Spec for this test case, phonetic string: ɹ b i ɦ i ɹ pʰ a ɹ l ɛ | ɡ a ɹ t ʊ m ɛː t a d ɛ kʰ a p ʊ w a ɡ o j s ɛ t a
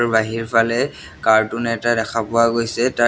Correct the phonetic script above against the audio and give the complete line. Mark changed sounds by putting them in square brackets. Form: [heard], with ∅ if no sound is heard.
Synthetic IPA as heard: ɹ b [a] ɦ i ɹ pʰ a [∅] l ɛ | [k] a ɹ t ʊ [n] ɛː t a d ɛ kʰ a p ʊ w a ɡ o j s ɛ t a